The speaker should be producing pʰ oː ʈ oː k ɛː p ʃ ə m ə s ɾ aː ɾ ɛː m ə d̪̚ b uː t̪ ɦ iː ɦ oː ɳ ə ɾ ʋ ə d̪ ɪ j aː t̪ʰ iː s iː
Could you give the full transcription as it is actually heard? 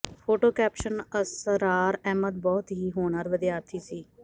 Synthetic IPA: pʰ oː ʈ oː k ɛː p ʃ ə n ə s ɾ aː ɾ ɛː m ə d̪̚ b ɔː t̪ ɦ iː ɦ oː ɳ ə ɾ ʋ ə d̪ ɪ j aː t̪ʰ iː s iː